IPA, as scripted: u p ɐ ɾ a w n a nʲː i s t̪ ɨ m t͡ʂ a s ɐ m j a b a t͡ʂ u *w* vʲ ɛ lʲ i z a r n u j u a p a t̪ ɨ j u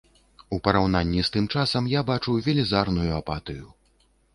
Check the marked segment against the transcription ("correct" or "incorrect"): correct